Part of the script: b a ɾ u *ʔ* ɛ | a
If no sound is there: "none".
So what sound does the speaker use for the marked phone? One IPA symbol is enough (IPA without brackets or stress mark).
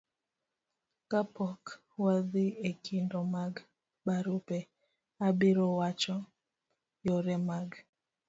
p